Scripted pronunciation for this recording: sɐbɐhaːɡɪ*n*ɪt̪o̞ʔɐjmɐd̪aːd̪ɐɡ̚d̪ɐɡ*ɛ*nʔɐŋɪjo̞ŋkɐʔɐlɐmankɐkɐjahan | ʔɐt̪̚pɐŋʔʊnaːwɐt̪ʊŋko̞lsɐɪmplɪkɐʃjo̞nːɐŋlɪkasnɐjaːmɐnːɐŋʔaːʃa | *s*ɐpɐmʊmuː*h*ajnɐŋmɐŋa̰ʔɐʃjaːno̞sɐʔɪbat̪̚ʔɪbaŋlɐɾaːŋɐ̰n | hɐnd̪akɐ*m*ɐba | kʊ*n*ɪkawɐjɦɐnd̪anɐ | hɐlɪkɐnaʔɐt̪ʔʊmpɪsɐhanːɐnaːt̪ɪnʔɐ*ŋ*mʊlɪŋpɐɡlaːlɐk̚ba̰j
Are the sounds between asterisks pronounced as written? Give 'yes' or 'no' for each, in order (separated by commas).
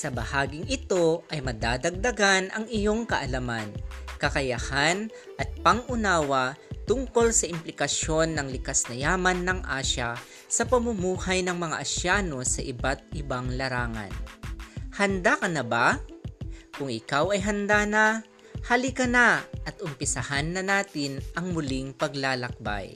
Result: no, no, yes, yes, no, no, yes